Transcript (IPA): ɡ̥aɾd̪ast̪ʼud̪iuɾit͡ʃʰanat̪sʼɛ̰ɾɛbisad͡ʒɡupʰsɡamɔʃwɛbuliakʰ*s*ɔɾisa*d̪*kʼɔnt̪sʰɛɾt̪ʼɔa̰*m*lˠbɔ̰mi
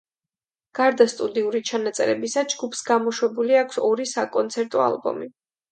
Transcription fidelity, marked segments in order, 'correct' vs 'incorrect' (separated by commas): correct, incorrect, incorrect